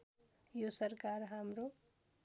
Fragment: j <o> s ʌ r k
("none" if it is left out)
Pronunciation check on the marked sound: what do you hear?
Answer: o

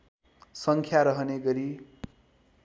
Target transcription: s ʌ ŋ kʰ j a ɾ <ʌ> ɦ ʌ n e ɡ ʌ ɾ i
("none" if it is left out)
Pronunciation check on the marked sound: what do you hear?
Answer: ʌ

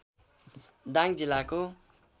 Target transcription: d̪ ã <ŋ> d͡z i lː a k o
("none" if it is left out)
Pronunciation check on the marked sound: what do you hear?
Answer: ŋ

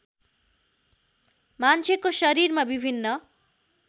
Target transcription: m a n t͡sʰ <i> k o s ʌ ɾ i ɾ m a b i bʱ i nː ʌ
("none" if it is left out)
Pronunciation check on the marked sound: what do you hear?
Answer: e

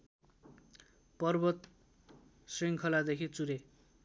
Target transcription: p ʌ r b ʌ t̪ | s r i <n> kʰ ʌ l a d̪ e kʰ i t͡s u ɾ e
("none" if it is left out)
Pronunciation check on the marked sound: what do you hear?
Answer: ŋ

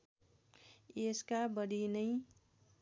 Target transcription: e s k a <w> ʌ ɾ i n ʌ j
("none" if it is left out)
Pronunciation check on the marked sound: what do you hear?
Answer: b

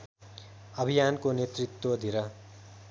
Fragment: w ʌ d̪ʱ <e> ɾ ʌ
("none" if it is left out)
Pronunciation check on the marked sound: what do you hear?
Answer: i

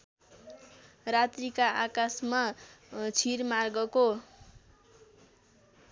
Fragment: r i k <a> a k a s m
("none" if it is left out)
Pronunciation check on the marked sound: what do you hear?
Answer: a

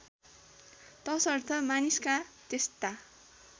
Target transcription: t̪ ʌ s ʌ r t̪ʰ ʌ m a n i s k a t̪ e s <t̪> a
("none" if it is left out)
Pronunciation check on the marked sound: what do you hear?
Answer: t̪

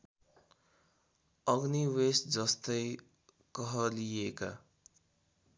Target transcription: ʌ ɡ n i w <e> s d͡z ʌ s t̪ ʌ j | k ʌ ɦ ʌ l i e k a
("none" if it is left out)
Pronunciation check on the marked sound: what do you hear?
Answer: e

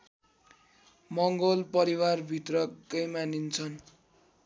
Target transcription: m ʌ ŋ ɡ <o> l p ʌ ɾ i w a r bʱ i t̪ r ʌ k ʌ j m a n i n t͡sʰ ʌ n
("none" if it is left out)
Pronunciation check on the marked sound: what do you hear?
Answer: o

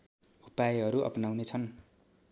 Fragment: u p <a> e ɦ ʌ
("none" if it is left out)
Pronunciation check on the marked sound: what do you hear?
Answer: a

